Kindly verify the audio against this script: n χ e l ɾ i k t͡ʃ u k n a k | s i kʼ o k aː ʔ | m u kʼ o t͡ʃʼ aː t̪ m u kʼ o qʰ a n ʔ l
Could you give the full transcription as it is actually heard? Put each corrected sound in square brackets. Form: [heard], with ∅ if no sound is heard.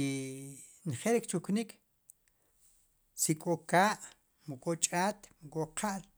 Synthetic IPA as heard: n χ e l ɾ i k t͡ʃ u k n [i] k | s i kʼ o k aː ʔ | m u kʼ o t͡ʃʼ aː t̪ m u kʼ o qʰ a [∅] ʔ l